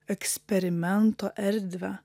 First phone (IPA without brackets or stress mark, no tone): ɛ